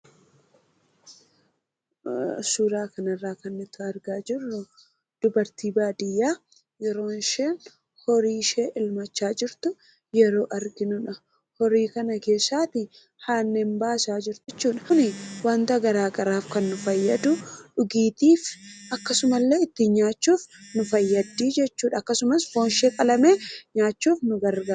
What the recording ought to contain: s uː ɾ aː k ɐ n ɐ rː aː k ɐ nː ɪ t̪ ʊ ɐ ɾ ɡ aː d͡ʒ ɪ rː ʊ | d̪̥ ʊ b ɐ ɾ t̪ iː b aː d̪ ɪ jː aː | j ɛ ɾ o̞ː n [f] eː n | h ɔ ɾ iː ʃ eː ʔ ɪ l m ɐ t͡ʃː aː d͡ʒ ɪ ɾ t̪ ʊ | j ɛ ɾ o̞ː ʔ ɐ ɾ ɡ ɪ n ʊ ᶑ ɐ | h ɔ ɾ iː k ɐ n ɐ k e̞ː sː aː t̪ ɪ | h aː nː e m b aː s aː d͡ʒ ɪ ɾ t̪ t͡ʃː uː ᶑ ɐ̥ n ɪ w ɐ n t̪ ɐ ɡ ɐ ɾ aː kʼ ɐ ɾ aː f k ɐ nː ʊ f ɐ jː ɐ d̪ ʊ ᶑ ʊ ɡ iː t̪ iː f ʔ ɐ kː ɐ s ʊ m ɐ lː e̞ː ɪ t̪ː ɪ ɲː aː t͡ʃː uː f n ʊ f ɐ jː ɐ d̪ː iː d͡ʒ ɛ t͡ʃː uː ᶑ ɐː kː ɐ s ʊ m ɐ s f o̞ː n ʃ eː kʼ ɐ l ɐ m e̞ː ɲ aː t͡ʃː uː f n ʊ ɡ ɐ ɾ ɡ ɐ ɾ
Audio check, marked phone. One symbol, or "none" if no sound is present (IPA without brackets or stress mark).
ʃ